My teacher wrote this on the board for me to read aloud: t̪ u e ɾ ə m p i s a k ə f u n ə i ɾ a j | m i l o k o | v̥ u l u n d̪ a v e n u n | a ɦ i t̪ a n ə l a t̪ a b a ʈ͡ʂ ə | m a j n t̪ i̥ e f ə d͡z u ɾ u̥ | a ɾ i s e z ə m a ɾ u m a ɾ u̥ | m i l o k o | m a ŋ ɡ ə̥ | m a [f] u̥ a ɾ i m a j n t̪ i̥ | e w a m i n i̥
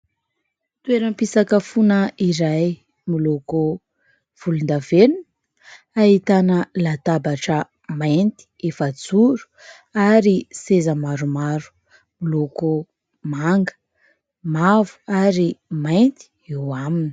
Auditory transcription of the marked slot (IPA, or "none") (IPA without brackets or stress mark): v